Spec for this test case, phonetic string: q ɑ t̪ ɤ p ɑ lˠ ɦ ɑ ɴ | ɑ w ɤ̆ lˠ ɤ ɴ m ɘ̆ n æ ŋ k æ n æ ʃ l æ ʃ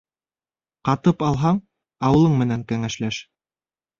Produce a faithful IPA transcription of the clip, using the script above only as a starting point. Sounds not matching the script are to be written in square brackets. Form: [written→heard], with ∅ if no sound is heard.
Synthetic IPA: q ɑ t̪ ɤ p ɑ lˠ ɦ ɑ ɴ | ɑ w ɤ̆ lˠ ɤ ɴ m ɘ̆ n æ ŋ k æ [n→ŋ] æ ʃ l æ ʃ

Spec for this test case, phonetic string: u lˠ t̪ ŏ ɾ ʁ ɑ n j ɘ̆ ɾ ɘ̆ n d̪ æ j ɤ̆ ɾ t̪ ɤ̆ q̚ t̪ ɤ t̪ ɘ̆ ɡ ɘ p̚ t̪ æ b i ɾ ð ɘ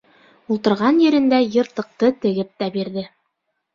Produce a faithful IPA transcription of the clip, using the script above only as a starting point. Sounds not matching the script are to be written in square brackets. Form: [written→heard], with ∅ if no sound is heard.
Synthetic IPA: u lˠ t̪ [ŏ→ɤ̆] ɾ ʁ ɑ n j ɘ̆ ɾ ɘ̆ n d̪ æ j ɤ̆ ɾ t̪ ɤ̆ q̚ t̪ ɤ t̪ ɘ̆ ɡ ɘ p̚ t̪ æ b i ɾ ð ɘ

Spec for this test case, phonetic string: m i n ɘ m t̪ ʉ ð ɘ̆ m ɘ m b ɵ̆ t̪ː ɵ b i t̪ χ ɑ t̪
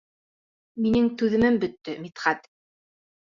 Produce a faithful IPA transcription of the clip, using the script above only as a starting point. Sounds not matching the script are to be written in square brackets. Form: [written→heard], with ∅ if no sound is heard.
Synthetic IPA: m i n ɘ [m→ŋ] t̪ ʉ ð ɘ̆ m ɘ m b ɵ̆ t̪ː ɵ [b→m] i t̪ χ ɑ t̪

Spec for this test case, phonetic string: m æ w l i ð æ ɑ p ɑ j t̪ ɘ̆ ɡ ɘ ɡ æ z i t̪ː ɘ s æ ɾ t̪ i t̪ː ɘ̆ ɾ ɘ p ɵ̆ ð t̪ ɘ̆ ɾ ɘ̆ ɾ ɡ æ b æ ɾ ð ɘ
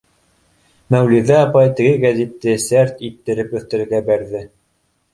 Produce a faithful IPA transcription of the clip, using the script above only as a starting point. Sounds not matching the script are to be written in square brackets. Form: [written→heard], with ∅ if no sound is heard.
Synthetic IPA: m æ w l i ð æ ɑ p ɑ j t̪ ɘ̆ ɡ ɘ ɡ æ z i t̪ː ɘ s æ ɾ t̪ i t̪ː ɘ̆ ɾ ɘ p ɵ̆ [ð→θ] t̪ ɘ̆ ɾ ɘ̆ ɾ ɡ æ b æ ɾ ð ɘ

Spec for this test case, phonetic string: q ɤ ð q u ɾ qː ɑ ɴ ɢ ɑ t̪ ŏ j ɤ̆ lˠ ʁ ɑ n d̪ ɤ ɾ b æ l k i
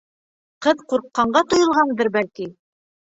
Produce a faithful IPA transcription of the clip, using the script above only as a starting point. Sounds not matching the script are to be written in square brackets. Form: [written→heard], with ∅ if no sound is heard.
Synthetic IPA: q ɤ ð q u ɾ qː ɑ ɴ ɢ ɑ t̪ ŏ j ɤ̆ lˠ ʁ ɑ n d̪ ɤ ɾ b æ l k i

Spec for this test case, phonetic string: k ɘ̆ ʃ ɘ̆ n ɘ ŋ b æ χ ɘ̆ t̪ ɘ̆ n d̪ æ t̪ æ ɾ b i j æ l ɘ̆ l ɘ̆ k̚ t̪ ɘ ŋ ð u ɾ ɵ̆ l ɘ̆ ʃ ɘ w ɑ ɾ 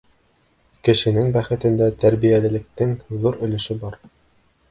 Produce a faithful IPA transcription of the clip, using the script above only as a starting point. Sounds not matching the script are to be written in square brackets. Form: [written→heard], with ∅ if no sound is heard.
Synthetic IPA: k ɘ̆ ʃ ɘ̆ n ɘ ŋ b æ χ ɘ̆ t̪ ɘ̆ n d̪ æ t̪ æ ɾ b i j æ l ɘ̆ l ɘ̆ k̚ t̪ ɘ ŋ ð u ɾ ɵ̆ l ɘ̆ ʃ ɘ [w→b] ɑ ɾ

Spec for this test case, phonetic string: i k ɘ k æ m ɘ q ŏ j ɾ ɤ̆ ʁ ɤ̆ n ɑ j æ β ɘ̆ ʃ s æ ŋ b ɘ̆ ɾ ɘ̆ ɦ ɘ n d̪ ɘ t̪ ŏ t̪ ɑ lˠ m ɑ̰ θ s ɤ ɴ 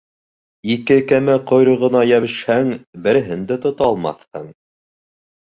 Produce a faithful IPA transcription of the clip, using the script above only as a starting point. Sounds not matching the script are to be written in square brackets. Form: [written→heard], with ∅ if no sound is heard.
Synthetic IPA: i k ɘ k æ m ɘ q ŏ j ɾ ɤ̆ ʁ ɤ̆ n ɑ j æ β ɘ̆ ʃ [s→h] æ ŋ b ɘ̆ ɾ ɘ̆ ɦ ɘ n d̪ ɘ t̪ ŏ t̪ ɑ lˠ m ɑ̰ θ [s→h] ɤ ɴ

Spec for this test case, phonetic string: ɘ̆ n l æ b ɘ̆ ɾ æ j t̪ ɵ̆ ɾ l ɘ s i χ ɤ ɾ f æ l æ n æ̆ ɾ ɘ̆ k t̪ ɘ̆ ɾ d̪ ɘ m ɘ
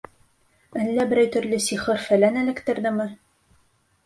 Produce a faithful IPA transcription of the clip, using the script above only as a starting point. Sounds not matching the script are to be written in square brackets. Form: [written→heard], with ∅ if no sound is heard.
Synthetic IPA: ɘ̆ n l æ b ɘ̆ ɾ æ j t̪ ɵ̆ ɾ l ɘ s i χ ɤ ɾ f æ l æ n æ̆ [ɾ→l] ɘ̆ k t̪ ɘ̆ ɾ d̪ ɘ m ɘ

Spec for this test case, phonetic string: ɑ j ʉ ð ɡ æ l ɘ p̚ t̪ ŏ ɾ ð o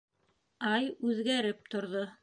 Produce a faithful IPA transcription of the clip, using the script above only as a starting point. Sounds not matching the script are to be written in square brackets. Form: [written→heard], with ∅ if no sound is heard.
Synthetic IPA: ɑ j ʉ ð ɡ æ [l→ɾ] ɘ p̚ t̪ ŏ ɾ ð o

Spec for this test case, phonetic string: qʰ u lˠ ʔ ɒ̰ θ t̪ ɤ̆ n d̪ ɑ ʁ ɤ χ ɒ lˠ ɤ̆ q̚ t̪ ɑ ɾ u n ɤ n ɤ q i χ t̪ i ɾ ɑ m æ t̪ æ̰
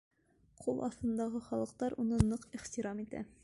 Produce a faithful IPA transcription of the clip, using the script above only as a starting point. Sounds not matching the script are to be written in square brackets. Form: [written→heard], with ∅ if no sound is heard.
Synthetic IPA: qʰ u lˠ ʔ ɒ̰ θ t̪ ɤ̆ n d̪ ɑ ʁ ɤ χ ɒ lˠ ɤ̆ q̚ t̪ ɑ ɾ u n ɤ n ɤ q i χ t̪ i ɾ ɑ m [æ→i] t̪ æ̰

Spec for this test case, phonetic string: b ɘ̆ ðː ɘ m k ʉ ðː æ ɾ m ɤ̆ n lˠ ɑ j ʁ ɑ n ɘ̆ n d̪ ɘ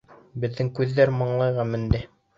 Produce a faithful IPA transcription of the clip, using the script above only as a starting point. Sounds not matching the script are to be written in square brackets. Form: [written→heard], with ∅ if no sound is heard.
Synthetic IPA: b ɘ̆ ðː ɘ [m→ŋ] k ʉ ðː æ ɾ m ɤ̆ [n→ɴ] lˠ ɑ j ʁ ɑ [n→m] ɘ̆ n d̪ ɘ

